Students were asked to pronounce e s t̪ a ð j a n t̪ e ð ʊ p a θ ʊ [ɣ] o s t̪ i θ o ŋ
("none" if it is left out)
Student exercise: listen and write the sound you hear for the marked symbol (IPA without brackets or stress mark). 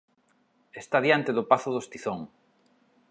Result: ð